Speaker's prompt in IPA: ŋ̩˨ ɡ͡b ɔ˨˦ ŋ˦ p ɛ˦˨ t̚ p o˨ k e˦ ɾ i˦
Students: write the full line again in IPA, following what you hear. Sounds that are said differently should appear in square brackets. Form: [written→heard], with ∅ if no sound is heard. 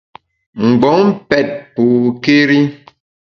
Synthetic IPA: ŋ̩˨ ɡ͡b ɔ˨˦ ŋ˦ p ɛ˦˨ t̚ p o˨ k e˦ ɾ i˦

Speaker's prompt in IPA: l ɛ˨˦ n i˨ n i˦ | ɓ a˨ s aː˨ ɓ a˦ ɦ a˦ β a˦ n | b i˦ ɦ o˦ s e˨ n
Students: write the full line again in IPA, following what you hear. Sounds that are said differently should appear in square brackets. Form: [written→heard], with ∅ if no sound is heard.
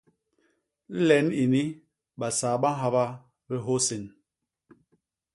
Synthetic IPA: l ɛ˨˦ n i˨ n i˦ | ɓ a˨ s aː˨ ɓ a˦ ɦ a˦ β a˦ [n→∅] | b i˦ ɦ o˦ s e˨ n

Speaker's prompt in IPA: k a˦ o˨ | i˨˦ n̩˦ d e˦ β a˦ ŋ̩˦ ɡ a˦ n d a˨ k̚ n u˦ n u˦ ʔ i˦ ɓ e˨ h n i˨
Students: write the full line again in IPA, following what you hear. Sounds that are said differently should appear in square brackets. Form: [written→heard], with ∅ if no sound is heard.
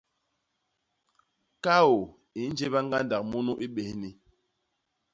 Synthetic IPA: k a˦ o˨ | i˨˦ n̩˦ [d→d͡ʒ] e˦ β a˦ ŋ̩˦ ɡ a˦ n d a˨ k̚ [n→m] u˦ n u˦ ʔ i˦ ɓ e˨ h n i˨

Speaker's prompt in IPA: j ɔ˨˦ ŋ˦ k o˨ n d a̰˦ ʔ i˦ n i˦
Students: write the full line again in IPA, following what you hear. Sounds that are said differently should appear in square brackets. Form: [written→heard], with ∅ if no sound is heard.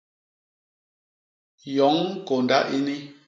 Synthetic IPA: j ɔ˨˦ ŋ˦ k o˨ n d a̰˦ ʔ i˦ n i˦

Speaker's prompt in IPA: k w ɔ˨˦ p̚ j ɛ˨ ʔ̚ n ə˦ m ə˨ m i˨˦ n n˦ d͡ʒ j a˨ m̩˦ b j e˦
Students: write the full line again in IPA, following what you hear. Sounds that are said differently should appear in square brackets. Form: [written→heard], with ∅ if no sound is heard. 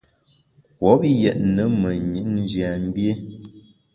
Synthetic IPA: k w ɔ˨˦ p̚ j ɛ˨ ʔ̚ n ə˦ m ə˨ [m→ɲ] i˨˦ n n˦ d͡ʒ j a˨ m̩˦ b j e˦

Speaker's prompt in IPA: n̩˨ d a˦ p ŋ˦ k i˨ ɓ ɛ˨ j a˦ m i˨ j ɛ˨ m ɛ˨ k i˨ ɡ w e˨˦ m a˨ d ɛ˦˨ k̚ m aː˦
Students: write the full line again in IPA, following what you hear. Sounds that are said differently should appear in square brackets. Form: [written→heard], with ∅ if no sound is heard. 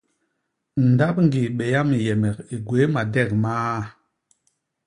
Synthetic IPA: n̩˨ d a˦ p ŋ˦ [k→ɡ] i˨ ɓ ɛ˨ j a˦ m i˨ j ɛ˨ m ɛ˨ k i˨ ɡ w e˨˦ m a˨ d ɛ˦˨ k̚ m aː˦

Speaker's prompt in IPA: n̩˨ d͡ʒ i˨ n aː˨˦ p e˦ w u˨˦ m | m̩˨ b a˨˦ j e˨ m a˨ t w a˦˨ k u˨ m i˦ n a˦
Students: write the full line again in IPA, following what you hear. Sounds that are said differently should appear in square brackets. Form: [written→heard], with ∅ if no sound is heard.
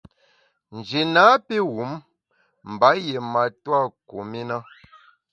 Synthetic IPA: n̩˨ d͡ʒ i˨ n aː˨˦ p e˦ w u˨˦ m | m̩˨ b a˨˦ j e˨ m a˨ t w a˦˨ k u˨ m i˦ n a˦

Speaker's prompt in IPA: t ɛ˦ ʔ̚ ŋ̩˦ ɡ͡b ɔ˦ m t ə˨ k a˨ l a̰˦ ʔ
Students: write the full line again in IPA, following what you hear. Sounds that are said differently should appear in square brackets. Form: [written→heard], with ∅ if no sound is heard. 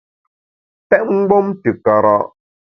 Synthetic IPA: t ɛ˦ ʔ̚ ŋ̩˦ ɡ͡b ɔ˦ m t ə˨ k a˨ [l→ɾ] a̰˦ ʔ

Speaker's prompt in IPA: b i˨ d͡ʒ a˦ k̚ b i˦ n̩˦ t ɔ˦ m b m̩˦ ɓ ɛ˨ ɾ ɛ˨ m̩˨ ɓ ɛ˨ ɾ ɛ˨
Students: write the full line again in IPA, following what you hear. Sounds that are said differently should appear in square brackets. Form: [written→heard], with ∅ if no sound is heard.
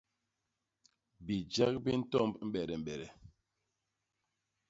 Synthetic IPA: b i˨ d͡ʒ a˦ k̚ b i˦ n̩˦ t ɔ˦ m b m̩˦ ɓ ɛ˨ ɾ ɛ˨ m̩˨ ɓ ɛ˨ ɾ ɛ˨

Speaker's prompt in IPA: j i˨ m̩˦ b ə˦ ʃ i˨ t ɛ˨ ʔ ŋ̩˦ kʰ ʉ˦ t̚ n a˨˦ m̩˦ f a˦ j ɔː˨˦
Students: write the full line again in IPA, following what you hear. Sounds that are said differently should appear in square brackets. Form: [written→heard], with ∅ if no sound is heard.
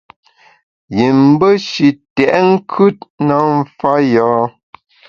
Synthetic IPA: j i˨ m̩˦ b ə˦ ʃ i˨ t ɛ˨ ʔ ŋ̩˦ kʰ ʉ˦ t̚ n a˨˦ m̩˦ f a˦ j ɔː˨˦

